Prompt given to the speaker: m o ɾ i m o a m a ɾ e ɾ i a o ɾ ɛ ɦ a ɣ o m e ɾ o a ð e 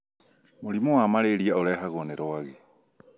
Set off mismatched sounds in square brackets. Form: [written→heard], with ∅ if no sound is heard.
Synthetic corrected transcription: m o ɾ i m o a m a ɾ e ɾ i a o ɾ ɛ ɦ a ɣ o [m→n] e ɾ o a [ð→ɣ] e